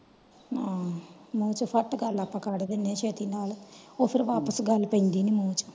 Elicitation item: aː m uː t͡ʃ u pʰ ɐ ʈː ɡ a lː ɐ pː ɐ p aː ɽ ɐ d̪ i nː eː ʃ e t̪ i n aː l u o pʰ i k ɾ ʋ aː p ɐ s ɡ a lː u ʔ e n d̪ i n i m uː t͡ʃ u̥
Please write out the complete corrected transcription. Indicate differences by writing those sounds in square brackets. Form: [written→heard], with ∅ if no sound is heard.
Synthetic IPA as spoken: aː m uː t͡ʃ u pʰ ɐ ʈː ɡ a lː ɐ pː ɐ [p→k] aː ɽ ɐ d̪ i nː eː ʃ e t̪ i n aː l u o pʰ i [k→∅] ɾ ʋ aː p ɐ s ɡ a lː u [ʔ→p] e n d̪ i n i m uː t͡ʃ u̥

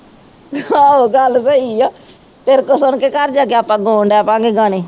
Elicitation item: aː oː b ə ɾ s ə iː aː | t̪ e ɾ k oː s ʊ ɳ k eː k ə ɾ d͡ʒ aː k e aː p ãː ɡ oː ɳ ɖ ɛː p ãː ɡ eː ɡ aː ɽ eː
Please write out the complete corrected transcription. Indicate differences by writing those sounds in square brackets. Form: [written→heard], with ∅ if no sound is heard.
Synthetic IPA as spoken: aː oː [b→ɡ] ə [ɾ→l] s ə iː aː | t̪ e ɾ k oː s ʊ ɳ k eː k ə ɾ d͡ʒ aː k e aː p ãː ɡ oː ɳ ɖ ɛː p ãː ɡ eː ɡ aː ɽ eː

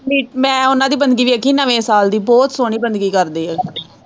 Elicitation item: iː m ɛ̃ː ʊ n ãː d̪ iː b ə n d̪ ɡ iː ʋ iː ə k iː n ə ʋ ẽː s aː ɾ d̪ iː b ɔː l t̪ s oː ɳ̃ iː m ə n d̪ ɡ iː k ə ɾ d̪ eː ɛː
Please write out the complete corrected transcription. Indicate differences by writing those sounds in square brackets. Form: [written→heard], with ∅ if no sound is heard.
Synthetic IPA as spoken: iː m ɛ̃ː ʊ n ãː d̪ iː b ə n d̪ ɡ iː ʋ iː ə k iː n ə ʋ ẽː s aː [ɾ→l] d̪ iː b ɔː [l→∅] t̪ s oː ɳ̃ iː [m→b] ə n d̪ ɡ iː k ə ɾ d̪ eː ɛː

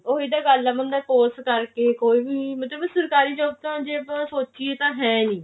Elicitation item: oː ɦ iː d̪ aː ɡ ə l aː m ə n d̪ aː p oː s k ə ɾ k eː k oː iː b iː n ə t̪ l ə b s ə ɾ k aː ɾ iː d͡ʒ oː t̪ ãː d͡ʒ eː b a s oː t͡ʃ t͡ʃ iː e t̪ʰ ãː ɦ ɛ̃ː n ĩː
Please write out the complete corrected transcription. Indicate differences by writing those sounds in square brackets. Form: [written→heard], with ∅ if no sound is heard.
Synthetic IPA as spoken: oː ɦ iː d̪ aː ɡ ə l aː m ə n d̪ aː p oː s k ə ɾ k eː k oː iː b iː [n→m] ə t̪ l ə b s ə ɾ k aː ɾ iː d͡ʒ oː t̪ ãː d͡ʒ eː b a s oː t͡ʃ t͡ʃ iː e [t̪ʰ→t̪] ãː ɦ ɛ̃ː n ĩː

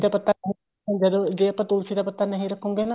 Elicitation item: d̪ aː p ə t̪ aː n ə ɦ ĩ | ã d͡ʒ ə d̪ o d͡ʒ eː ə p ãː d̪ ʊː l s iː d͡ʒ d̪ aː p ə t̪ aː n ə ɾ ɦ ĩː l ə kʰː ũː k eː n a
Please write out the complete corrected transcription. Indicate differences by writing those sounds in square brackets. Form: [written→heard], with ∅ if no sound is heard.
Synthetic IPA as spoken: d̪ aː p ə t̪ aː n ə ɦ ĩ | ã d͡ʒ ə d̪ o d͡ʒ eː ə p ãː [d̪→t̪] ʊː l s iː [d͡ʒ→∅] d̪ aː p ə t̪ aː n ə [ɾ→∅] ɦ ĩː [l→ɾ] ə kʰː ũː [k→ɡ] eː n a

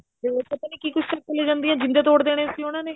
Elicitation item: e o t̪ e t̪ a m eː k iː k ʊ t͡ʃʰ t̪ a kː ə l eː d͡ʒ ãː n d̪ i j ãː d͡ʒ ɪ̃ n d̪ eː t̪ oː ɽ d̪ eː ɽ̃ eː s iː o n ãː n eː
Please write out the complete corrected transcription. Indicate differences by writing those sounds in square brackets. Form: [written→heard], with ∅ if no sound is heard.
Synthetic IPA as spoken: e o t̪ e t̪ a [m→n] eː k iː k ʊ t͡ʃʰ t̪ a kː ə l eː d͡ʒ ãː n d̪ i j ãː d͡ʒ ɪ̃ n d̪ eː t̪ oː ɽ d̪ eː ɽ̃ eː s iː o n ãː n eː

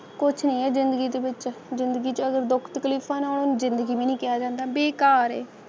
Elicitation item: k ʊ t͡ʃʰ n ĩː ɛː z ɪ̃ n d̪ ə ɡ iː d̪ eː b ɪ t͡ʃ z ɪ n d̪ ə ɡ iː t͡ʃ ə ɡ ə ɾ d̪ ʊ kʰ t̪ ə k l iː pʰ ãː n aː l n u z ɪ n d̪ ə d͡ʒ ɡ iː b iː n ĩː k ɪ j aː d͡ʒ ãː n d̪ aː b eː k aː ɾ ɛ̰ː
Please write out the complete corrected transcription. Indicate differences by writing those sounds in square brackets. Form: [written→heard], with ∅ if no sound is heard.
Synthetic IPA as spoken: k ʊ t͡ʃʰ n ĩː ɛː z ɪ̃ n d̪ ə ɡ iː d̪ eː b ɪ t͡ʃ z ɪ n d̪ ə ɡ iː t͡ʃ ə ɡ ə ɾ d̪ ʊ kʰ t̪ ə k l iː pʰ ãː n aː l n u z ɪ n d̪ ə [d͡ʒ→∅] ɡ iː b iː n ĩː k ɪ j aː d͡ʒ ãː n d̪ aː b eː k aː ɾ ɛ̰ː

